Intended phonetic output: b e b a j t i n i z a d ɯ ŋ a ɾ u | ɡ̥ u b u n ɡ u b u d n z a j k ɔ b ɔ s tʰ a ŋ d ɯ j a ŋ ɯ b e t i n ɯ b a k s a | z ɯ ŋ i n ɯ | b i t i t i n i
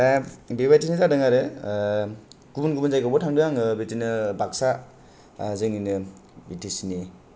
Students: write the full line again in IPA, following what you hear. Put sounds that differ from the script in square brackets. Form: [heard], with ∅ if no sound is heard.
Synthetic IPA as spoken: b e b a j t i n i z a d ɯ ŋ a ɾ [ɯ] | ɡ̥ u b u n ɡ u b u [∅] n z a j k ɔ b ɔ [∅] tʰ a ŋ d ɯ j a ŋ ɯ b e t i n ɯ b a k s a | z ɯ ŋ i n ɯ | b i t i [s] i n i